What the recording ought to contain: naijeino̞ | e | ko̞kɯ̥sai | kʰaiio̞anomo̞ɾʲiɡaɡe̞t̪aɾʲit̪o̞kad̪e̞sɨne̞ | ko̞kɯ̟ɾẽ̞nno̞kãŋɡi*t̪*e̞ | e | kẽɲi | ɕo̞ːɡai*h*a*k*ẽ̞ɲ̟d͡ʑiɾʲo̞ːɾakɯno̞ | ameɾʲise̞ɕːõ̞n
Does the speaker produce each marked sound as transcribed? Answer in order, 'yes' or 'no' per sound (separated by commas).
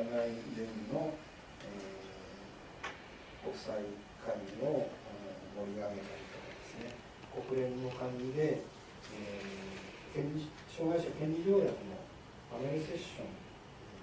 no, no, yes